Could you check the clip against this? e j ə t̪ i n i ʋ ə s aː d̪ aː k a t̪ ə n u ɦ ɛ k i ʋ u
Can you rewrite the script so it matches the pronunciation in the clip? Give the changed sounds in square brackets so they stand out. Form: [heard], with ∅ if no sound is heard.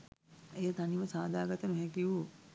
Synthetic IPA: e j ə t̪ [a] n i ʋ ə s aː d̪ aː [ɡ] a t̪ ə n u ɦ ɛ k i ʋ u